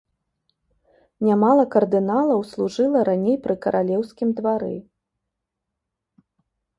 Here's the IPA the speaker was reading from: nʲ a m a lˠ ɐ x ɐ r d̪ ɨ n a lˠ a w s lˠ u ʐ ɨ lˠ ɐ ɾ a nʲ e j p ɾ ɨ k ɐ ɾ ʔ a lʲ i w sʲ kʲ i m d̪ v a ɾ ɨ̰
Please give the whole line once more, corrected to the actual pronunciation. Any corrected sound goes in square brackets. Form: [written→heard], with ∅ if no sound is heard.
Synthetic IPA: nʲ a m a lˠ ɐ [x→k] ɐ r d̪ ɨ n a lˠ [a→ɐ] w s lˠ u ʐ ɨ lˠ ɐ ɾ a nʲ e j p ɾ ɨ k ɐ ɾ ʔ a lʲ [i→ɛ] w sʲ kʲ i m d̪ v a ɾ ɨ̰